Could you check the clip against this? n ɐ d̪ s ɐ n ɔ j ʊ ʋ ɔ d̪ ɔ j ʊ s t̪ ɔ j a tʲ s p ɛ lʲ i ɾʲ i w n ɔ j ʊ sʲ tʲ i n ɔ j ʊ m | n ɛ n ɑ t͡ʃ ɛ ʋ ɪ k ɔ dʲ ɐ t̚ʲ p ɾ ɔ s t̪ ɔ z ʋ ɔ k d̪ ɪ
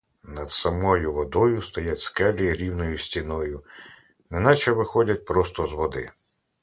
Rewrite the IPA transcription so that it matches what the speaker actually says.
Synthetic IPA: n ɐ d̪ s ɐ m ɔ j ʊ ʋ ɔ d̪ ɔ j ʊ s t̪ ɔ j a tʲ s k ɛ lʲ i ɾʲ i w n ɔ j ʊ sʲ tʲ i n ɔ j ʊ | n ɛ n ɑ t͡ʃ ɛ ʋ ɪ x ɔ dʲ ɐ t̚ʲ p ɾ ɔ s t̪ ɔ z ʋ ɔ d̪ ɪ